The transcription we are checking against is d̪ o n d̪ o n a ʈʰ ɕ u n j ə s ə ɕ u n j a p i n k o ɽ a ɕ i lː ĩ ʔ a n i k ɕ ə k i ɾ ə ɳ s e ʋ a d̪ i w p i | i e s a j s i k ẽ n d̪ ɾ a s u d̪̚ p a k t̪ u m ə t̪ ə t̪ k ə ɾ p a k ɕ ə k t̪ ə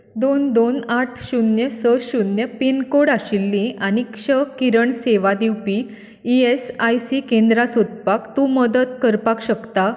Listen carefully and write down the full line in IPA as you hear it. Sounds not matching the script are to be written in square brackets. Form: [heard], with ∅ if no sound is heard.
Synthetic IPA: d̪ o n d̪ o n a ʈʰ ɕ u n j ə s ə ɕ u n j [ə] p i n k o ɽ a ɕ i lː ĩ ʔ a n i k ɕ ə k i ɾ ə ɳ s e ʋ a d̪ i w p i | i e s a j s i k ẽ n d̪ ɾ a s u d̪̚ p a k t̪ u m ə [d̪] ə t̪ k ə ɾ p a k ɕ ə k t̪ [a]

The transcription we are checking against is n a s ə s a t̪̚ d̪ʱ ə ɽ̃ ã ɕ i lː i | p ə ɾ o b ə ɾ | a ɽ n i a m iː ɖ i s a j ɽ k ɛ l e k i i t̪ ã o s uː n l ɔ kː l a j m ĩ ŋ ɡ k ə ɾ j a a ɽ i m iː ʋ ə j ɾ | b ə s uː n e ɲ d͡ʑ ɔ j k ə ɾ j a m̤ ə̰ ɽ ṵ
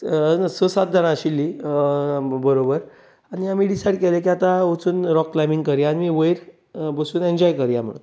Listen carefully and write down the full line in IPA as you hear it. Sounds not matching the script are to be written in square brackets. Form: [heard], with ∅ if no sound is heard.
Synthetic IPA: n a s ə s a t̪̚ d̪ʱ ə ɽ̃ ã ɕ i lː i | [b] ə ɾ o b ə ɾ | a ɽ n i a m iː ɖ i s a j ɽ k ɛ l e k i [a] t̪ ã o [t͡s] uː n [ɾ] ɔ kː l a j m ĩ ŋ ɡ k ə ɾ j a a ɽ i m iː ʋ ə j ɾ | b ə s uː n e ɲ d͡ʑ ɔ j k ə ɾ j a m̤ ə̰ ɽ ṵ

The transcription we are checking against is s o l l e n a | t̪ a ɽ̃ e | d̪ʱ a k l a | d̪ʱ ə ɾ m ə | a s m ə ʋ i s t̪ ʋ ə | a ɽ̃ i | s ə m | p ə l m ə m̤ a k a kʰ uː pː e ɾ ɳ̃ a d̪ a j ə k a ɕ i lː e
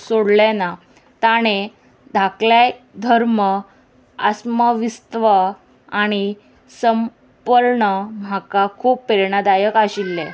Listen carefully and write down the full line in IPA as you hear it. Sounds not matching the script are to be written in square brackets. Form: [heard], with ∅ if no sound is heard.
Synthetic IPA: s o [ɽ] l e n a | t̪ a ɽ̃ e | d̪ʱ a k l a | d̪ʱ ə ɾ m ə | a s m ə ʋ i s t̪ ʋ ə | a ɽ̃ i | s ə m | p ə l [ɳ] ə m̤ a k a kʰ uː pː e ɾ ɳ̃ a d̪ a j ə k a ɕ i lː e

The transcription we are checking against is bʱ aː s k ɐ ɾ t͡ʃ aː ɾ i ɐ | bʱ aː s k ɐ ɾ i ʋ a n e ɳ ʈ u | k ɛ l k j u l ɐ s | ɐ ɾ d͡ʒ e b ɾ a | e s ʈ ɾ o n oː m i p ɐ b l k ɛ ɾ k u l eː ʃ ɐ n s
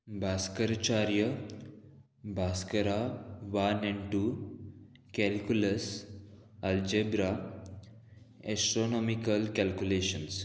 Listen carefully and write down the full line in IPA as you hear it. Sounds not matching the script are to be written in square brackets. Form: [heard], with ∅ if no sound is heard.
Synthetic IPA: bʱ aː s k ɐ ɾ t͡ʃ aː ɾ [j] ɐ | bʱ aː s k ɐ ɾ [a] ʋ a n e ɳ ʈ u | k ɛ l k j u l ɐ s | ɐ [l] d͡ʒ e b ɾ a | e s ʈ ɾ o n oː m i [k] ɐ [∅] l k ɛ [l] k u l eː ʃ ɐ n s

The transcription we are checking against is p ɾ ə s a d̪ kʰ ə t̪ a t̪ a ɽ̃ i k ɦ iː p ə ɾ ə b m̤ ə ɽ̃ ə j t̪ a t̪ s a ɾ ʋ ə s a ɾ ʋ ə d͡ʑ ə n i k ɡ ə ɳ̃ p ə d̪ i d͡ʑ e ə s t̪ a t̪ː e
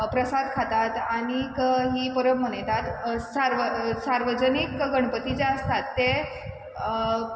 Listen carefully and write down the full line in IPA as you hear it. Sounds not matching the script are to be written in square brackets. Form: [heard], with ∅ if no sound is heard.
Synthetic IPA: p ɾ ə s a d̪ kʰ [a] t̪ a t̪ a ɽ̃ i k ɦ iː p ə ɾ ə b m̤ ə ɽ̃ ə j t̪ a t̪ s a ɾ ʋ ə s a ɾ ʋ ə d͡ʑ ə n i k ɡ ə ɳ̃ p ə [t̪] i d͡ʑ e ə s t̪ a t̪ː e

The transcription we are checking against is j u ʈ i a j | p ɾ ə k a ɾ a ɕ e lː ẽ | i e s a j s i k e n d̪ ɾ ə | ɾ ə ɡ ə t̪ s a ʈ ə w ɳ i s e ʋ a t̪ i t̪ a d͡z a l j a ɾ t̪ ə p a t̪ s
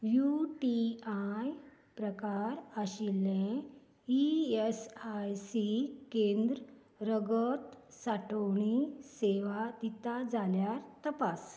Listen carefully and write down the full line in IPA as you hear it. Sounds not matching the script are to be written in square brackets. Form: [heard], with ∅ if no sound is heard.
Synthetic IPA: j u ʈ i a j | p ɾ ə k a ɾ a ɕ [i] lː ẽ | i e s a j s i k e n d̪ ɾ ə | ɾ ə ɡ ə t̪ s a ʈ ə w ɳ i s e ʋ a [d̪] i t̪ a d͡z a l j a ɾ t̪ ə p a [∅] s

